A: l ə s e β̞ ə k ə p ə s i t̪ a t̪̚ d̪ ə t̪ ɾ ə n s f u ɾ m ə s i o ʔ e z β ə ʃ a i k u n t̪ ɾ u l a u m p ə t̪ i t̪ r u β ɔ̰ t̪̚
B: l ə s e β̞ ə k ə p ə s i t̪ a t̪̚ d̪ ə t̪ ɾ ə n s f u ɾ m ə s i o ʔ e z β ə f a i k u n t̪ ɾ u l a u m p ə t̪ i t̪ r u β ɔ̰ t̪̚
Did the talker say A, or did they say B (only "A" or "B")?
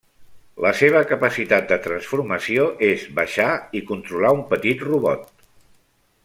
A